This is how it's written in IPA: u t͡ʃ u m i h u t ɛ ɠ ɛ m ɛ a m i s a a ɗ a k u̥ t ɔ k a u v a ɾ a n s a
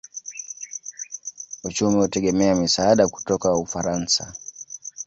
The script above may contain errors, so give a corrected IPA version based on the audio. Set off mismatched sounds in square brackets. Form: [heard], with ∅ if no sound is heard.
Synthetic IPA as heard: u t͡ʃ u m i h u t ɛ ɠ ɛ m ɛ a m i s a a ɗ a k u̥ t ɔ k a u [f] a ɾ a n s a

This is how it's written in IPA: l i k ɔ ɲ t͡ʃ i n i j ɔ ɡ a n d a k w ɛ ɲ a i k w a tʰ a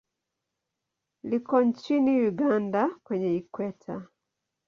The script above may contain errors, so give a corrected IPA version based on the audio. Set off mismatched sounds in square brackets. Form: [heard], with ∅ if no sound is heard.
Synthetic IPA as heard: l i k ɔ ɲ t͡ʃ i n i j [u] ɡ a n d a k w ɛ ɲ [ɛ] i k w [ɛ] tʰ a

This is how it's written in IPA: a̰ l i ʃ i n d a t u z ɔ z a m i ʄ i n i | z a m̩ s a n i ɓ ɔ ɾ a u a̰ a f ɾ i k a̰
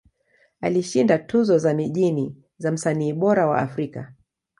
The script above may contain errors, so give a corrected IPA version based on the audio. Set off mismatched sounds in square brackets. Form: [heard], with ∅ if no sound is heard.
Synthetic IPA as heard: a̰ l i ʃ i n d a t u z ɔ z a m i ʄ i n i | z a m̩ s a n [iː] ɓ ɔ ɾ a [w] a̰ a f ɾ i k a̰

